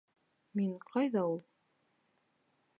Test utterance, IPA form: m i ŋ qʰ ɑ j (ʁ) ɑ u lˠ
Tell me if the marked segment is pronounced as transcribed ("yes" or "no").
no